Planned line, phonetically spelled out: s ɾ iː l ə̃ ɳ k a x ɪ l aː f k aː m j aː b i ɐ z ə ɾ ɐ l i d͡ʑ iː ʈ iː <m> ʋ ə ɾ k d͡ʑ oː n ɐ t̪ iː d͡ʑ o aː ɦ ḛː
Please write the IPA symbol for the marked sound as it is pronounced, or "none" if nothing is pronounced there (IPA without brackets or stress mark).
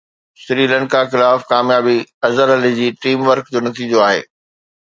m